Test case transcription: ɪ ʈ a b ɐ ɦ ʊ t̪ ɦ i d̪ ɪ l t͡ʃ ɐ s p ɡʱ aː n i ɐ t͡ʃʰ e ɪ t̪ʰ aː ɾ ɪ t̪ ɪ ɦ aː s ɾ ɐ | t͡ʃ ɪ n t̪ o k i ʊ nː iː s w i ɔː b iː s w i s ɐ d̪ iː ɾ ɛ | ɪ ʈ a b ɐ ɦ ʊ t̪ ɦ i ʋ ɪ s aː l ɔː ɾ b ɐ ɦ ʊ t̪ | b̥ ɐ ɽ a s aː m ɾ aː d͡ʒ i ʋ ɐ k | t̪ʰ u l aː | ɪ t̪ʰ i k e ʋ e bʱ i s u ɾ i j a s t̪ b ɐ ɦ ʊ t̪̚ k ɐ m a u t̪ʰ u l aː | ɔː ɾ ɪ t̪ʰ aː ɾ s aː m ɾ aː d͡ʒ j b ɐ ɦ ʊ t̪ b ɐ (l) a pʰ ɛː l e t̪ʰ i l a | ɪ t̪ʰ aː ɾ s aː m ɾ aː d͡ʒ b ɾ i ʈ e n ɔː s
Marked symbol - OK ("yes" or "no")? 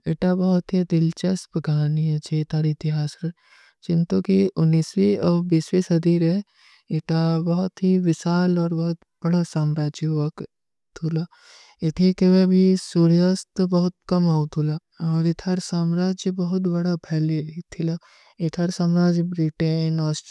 no